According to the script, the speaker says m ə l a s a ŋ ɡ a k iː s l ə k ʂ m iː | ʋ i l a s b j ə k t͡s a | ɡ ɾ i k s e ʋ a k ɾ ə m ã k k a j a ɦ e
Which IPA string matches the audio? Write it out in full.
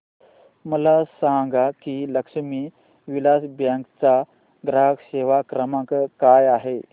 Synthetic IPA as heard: m ə l a s a ŋ ɡ a k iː l ə k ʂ m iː | ʋ i l a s b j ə k t͡s a | ɡ ɾ a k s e ʋ a k ɾ ə m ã k k a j a ɦ e